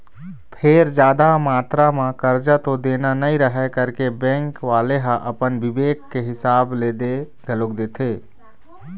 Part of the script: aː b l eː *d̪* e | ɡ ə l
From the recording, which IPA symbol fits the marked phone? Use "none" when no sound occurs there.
d̪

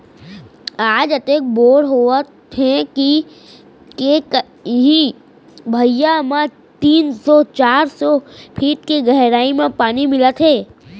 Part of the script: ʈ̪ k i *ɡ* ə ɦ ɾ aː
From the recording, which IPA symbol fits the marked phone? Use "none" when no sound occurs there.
ɡ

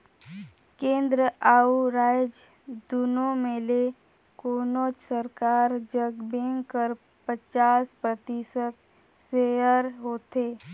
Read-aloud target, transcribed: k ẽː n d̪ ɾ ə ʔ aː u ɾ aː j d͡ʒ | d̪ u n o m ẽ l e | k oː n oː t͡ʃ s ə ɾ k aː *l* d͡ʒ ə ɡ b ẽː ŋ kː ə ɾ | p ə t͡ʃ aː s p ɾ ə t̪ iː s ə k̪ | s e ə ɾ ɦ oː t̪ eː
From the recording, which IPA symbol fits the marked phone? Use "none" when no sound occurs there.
ɾ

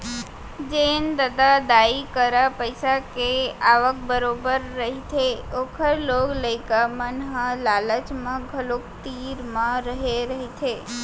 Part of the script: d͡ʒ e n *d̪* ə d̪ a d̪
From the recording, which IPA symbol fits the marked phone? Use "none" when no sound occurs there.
d̪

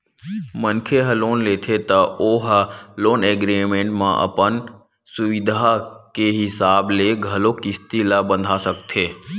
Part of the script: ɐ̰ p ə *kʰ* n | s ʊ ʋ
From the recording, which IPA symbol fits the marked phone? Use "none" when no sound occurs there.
none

